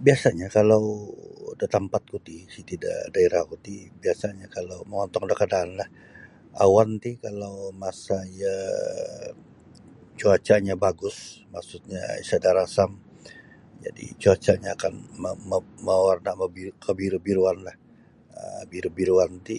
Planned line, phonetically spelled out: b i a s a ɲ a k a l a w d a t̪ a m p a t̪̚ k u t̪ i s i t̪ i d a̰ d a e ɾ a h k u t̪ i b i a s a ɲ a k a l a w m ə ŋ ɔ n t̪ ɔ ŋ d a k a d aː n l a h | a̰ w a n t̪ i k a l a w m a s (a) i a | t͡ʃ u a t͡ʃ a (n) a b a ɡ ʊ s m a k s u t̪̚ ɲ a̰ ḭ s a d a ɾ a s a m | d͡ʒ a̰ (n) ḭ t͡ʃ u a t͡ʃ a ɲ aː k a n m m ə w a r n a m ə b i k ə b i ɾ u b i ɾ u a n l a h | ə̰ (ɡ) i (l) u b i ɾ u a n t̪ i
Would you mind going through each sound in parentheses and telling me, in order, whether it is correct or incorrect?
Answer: correct, incorrect: ɲ, incorrect: d, incorrect: b, incorrect: ɾ

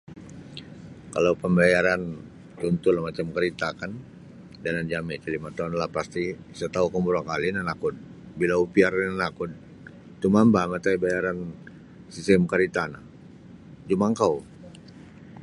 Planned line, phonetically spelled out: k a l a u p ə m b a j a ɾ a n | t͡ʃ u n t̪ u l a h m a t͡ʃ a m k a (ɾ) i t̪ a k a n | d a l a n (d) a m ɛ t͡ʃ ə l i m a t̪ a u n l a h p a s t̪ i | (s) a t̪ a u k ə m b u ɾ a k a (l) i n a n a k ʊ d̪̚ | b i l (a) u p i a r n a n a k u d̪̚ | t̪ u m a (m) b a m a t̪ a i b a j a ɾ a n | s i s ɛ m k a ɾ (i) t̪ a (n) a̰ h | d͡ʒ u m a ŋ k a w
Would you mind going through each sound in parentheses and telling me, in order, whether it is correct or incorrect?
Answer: correct, incorrect: d͡ʒ, correct, correct, correct, correct, correct, correct

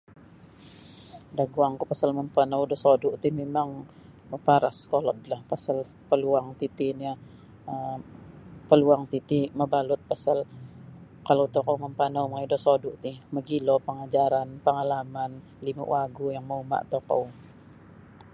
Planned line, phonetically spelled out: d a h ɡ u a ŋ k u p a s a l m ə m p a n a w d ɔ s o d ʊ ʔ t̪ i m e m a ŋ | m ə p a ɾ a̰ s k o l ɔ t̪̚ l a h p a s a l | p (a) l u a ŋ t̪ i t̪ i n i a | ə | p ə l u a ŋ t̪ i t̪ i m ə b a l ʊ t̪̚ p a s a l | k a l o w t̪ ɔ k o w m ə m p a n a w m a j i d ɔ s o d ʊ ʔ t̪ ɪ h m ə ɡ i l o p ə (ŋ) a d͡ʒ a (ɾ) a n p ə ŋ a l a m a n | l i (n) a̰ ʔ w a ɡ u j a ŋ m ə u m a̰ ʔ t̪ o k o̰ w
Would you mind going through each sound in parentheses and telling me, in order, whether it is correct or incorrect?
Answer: incorrect: ə, correct, correct, incorrect: m

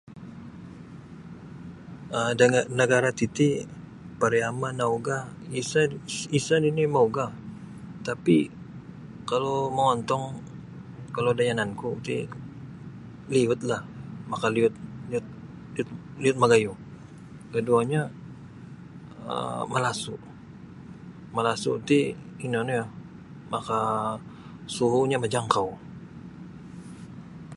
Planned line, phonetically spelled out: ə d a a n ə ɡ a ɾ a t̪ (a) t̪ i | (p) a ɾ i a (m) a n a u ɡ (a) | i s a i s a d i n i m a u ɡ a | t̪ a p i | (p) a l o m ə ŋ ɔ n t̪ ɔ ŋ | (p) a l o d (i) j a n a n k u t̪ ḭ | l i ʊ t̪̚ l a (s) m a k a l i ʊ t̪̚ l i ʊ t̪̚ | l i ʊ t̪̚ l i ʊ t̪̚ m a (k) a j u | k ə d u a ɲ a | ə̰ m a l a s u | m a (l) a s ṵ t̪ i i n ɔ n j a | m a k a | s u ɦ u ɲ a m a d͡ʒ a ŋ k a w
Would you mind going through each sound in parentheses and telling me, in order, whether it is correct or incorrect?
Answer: incorrect: i, correct, correct, correct, incorrect: k, incorrect: k, incorrect: a, incorrect: h, incorrect: ɡ, correct

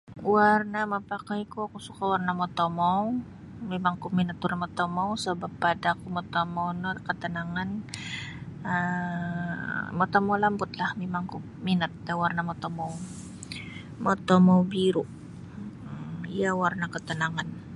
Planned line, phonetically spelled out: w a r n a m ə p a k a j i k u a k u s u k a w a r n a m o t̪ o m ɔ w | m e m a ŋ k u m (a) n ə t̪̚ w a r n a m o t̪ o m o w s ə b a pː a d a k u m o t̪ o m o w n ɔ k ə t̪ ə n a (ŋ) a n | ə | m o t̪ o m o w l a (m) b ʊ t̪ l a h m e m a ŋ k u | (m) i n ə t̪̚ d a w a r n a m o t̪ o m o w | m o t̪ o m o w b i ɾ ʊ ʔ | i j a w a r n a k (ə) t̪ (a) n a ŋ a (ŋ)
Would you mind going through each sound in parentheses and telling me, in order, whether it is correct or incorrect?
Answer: incorrect: i, correct, correct, correct, correct, incorrect: ə, incorrect: n

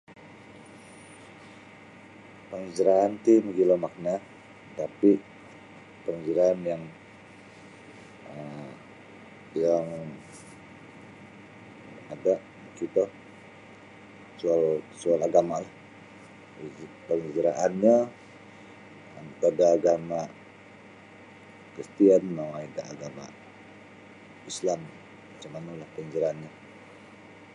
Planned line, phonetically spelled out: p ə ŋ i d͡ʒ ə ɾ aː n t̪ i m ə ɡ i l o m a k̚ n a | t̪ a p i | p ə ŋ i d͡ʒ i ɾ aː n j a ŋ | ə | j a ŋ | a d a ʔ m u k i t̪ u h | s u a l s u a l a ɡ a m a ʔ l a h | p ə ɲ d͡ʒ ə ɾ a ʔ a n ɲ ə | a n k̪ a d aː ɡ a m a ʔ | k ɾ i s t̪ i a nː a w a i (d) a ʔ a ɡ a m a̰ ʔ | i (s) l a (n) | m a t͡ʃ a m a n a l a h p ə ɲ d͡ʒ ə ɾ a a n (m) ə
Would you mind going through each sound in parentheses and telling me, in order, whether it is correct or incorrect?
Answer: correct, correct, incorrect: m, incorrect: ɲ

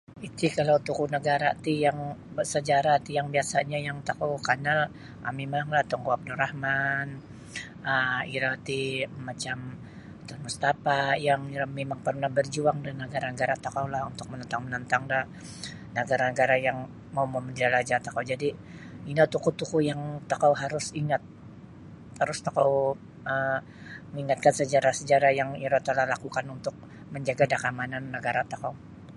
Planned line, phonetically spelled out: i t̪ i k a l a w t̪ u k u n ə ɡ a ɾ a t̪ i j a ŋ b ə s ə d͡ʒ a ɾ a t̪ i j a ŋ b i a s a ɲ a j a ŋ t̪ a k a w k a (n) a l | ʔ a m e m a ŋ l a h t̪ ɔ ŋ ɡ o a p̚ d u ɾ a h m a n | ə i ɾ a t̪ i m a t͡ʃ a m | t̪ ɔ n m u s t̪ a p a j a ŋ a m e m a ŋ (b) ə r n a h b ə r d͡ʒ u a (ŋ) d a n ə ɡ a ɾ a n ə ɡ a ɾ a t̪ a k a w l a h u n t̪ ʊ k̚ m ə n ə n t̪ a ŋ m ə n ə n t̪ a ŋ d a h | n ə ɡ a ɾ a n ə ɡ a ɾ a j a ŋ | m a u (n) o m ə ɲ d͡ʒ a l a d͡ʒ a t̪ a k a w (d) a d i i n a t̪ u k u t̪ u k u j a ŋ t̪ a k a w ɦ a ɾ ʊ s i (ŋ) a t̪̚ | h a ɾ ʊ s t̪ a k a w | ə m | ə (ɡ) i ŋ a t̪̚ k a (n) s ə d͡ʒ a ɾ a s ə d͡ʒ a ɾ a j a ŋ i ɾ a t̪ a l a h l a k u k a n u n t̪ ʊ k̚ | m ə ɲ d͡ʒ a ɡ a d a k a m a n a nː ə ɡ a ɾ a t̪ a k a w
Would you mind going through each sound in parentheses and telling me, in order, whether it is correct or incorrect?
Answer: correct, incorrect: p, correct, incorrect: m, incorrect: d͡ʒ, correct, incorrect: ŋ, correct

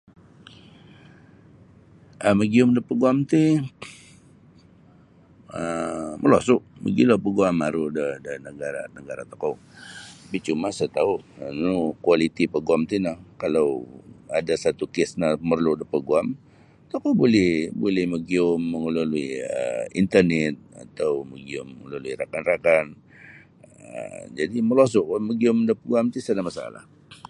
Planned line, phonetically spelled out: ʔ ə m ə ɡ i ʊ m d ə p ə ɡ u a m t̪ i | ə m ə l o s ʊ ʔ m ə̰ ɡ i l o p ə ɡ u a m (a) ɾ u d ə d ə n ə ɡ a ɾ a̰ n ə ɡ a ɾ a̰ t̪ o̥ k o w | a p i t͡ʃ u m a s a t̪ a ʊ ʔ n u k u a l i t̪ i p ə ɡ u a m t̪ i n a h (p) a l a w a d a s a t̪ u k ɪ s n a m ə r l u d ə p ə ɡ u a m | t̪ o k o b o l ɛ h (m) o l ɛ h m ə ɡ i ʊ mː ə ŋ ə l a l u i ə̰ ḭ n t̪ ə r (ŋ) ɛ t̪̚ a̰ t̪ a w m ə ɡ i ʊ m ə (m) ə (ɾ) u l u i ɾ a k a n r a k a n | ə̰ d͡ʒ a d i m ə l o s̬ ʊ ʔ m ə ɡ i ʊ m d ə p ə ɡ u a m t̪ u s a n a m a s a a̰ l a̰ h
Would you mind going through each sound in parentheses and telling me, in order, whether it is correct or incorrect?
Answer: correct, incorrect: k, incorrect: b, incorrect: n, incorrect: ŋ, incorrect: l

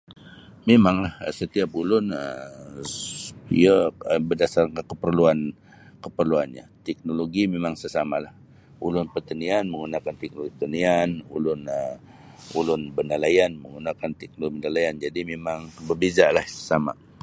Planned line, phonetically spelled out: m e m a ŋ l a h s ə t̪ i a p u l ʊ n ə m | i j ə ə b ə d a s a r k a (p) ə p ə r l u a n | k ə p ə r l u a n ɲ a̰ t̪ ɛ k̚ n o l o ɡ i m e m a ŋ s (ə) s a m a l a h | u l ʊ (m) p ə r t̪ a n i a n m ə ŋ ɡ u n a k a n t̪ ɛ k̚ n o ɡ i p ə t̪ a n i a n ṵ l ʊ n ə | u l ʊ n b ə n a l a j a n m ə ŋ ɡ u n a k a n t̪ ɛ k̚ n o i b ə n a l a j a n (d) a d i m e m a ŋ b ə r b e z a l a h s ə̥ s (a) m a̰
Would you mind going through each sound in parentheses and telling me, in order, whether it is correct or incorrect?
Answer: incorrect: k, correct, incorrect: n, incorrect: d͡ʒ, correct

